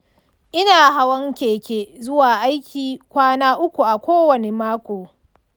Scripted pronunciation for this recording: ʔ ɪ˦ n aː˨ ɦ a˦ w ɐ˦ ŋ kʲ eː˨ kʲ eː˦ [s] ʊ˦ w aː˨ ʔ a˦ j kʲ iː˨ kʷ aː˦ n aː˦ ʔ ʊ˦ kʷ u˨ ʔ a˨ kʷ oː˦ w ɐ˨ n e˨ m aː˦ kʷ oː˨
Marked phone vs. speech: incorrect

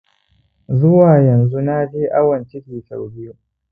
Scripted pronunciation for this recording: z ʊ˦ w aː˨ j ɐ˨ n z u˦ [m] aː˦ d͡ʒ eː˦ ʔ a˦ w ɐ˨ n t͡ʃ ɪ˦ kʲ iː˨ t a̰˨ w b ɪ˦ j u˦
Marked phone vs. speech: incorrect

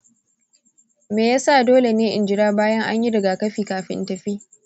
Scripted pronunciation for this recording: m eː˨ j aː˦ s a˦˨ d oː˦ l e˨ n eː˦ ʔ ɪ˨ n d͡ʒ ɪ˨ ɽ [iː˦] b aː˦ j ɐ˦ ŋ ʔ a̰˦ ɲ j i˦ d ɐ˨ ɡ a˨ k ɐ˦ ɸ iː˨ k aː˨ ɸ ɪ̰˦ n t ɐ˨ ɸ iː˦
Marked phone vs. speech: incorrect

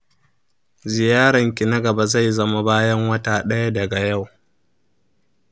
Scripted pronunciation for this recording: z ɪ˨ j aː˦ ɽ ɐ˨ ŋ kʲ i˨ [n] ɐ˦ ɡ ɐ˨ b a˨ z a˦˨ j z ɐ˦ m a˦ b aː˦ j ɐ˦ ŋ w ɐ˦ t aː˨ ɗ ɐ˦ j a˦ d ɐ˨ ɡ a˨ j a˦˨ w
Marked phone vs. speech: correct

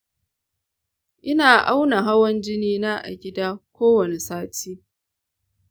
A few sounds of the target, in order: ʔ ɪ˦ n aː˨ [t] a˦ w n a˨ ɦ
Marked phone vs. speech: incorrect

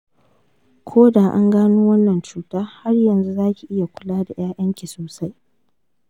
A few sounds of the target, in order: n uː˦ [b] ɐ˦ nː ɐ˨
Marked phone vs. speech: incorrect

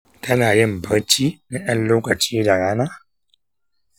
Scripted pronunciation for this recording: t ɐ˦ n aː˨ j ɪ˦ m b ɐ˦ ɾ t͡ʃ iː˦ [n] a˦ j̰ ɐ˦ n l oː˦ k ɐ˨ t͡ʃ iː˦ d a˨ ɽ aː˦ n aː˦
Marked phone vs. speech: correct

